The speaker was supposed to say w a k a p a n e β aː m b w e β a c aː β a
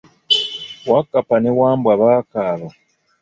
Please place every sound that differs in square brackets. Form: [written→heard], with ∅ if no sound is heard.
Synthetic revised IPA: w a k a p a n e [β→w] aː m b w [e→a] β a [c→k] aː β a

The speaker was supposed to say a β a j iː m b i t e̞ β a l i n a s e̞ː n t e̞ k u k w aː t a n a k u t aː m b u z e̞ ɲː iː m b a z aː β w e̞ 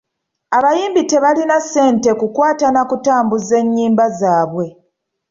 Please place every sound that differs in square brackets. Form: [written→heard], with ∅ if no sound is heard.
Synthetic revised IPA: a β a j iː m b i t e̞ β a l i n a s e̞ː n t e̞ k u k w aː t a n a k u t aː m b u z e̞ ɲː iː m b a z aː β w e̞

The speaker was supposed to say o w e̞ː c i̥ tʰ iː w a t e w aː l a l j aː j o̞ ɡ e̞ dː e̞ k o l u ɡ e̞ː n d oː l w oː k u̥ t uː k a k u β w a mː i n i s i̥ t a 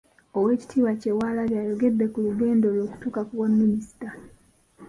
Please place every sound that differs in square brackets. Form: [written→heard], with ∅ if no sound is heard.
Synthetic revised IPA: o w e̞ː c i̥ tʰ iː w a [t→c] e w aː l a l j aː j o̞ ɡ e̞ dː e̞ k [o→u] l u ɡ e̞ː n d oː l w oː k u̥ t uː k a k u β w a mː i n i s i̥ t a

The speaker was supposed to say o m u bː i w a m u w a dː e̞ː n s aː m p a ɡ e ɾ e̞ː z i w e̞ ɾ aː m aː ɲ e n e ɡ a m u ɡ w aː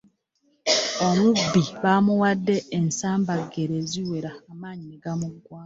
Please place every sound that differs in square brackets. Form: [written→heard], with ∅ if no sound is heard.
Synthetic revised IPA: o m u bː i [w→β] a m u w a dː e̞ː n s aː m [p→b] a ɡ e ɾ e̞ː z i w e̞ ɾ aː m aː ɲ [e→i] n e ɡ a m u ɡ w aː

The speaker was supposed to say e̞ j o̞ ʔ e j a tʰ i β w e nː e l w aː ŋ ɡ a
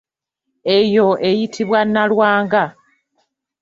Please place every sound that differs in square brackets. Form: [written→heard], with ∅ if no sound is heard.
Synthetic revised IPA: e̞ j o̞ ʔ e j [a→i] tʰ i β w [e→a] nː [e→a] l w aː ŋ ɡ a

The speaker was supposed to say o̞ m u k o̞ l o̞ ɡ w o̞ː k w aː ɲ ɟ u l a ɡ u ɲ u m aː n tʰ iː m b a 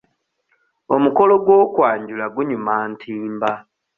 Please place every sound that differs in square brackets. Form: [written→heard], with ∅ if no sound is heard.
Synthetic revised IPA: o̞ m u k o̞ l o̞ ɡ w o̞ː k w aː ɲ ɟ u l a ɡ u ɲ u m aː n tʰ iː m b a

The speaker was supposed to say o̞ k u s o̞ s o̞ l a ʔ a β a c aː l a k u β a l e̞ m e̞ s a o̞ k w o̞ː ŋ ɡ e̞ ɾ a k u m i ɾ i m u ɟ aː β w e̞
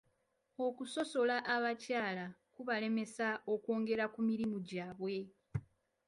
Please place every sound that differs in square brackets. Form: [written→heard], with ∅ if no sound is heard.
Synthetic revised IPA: o̞ k u s o̞ s o̞ l a ʔ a β a c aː l a k u β a l e̞ m e̞ s a o̞ k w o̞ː ŋ ɡ e̞ ɾ a k u m i ɾ i m u ɟ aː β w e̞

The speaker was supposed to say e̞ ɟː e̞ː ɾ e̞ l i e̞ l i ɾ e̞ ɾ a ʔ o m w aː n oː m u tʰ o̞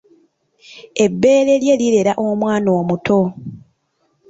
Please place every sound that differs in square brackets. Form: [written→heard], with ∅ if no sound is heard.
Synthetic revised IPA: e̞ [ɟː→bː] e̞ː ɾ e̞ l [i→j] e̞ l i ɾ e̞ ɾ a ʔ o m w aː n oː m u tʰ o̞

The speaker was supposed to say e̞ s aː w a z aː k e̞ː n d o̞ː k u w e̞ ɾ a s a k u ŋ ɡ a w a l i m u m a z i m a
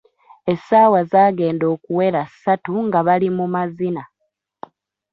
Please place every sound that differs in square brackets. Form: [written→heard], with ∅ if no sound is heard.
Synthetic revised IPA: e̞ s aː w a z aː [k→ɡ] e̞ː n d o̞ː k u w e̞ ɾ a s a [k→t] u ŋ ɡ a [w→β] a l i m u m a z i [m→n] a

